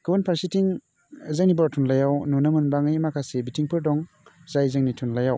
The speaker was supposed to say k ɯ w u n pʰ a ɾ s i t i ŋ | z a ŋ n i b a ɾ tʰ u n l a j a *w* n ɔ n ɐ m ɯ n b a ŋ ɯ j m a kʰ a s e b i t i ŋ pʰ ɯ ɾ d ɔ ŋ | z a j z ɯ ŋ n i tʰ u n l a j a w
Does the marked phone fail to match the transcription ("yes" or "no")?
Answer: no